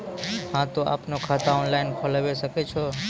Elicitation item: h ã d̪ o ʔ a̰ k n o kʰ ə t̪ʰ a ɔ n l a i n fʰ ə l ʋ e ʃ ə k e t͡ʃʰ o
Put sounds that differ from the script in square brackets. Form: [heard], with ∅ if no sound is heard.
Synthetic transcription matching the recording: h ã [t̪] o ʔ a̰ [p] n o kʰ [a] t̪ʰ a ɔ n l a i n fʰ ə l ʋ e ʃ ə k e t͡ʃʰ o